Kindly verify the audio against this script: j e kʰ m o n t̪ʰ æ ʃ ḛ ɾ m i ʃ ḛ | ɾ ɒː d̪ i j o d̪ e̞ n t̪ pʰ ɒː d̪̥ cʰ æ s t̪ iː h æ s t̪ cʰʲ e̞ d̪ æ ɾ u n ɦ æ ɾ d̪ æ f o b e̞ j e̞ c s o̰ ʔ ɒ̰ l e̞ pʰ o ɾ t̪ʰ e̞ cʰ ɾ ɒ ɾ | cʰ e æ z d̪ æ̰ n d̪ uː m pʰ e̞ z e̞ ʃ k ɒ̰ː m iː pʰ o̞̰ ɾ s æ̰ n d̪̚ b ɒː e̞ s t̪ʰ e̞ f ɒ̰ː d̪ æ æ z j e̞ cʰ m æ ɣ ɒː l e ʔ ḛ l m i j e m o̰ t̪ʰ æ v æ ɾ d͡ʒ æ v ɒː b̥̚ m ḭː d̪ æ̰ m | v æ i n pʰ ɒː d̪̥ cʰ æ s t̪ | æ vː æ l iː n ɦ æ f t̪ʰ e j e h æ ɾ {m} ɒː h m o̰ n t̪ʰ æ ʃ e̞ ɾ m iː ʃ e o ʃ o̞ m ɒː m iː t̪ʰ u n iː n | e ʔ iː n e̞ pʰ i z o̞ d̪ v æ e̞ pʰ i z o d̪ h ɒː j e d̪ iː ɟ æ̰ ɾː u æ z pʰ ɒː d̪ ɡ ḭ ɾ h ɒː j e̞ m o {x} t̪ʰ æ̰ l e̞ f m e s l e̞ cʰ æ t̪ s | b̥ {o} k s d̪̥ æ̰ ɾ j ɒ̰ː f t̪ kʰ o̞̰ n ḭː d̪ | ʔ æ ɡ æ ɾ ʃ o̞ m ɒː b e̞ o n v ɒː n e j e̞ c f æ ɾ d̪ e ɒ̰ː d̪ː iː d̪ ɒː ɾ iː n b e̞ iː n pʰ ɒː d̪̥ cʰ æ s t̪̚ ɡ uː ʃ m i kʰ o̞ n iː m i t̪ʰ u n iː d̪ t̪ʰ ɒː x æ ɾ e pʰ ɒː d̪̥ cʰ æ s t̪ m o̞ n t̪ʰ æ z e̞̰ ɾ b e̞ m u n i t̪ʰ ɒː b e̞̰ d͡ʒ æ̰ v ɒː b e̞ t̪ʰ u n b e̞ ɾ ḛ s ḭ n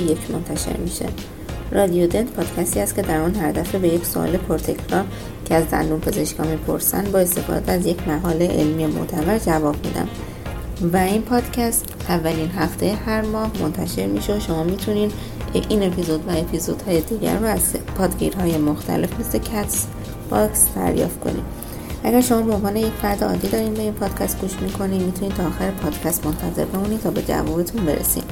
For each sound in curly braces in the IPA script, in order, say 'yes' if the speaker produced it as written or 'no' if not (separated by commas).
yes, yes, no